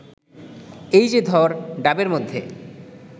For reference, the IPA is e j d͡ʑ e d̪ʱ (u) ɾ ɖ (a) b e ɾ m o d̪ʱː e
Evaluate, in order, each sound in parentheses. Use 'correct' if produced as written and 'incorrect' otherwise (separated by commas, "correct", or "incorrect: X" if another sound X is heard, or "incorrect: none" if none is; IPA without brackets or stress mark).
incorrect: ɔ, correct